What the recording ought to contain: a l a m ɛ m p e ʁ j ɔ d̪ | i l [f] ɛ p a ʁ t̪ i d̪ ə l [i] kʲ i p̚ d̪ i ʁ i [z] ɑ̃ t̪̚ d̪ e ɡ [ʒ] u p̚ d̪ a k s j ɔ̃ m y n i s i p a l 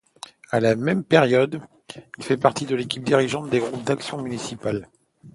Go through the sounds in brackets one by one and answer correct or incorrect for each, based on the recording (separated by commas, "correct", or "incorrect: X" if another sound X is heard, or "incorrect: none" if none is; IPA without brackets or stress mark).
correct, incorrect: e, incorrect: ʒ, incorrect: ʁ